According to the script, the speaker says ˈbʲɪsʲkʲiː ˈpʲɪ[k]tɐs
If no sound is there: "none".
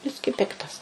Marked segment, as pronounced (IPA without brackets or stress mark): k